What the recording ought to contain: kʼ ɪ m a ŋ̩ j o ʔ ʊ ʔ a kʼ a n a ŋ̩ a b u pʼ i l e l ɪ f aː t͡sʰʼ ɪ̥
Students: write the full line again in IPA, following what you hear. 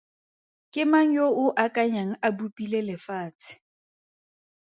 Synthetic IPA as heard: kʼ ɪ m a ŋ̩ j o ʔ ʊ ʔ a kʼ a ɲ a ŋ̩ a b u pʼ i l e l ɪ f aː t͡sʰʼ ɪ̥

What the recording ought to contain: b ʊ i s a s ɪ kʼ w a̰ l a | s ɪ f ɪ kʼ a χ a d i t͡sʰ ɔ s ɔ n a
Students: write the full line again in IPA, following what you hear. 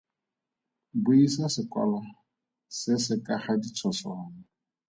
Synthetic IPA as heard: b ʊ i s a s ɪ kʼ w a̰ l a | s ɪ s ɪ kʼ a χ a d i t͡sʰ ɔ s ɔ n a

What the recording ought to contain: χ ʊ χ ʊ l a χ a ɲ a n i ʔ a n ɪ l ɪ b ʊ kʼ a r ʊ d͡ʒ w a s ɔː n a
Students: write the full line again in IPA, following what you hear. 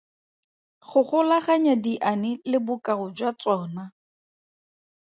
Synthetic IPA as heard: χ ʊ χ ʊ l a χ a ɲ a d i ʔ a n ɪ l ɪ b ʊ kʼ a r ʊ d͡ʒ w a t͡s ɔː n a

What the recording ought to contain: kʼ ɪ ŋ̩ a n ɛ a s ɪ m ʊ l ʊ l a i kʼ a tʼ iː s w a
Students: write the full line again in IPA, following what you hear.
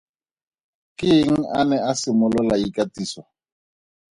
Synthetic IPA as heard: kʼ ɪ ŋ̩ a n ɛ a s ɪ m ʊ l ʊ l a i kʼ a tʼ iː s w a

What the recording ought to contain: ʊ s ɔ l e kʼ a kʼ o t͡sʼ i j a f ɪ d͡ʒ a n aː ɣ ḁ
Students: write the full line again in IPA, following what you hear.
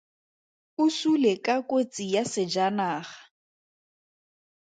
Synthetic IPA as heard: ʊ s u l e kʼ a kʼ o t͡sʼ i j a s ɪ d͡ʒ a n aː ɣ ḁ

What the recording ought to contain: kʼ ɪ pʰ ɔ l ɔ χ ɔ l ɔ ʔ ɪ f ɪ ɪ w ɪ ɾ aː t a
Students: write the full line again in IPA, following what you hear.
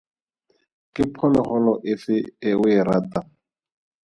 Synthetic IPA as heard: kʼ ɪ pʰ ɔ l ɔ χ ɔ l ɔ ʔ ɪ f ɪ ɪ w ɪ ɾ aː t a

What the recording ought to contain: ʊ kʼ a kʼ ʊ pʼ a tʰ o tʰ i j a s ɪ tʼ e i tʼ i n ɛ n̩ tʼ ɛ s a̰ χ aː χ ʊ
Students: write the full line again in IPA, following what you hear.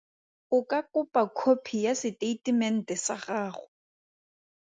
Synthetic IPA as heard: ʊ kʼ a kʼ ʊ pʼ a kʰ o pʰ i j a s ɪ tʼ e i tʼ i m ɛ n̩ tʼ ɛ s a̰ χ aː χ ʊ

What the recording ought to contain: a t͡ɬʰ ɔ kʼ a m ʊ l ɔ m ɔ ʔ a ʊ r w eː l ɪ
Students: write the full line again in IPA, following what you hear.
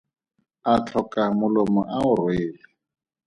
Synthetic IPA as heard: a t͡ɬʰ ɔ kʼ a m ʊ l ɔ m ɔ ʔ a ʊ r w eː l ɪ

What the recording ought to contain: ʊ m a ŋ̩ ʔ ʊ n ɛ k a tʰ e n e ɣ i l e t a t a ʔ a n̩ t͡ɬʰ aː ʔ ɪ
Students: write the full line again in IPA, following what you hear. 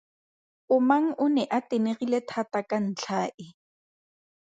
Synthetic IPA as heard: ʊ m a ŋ̩ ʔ ʊ n ɛ ʔ a t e n e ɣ i l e tʰ a t a k a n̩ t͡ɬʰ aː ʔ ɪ

